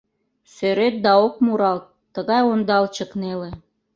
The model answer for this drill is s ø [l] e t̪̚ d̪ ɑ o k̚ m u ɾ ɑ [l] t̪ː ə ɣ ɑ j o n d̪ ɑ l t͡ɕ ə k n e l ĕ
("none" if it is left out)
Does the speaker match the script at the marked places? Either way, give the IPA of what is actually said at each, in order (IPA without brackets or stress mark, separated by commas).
ɾ, l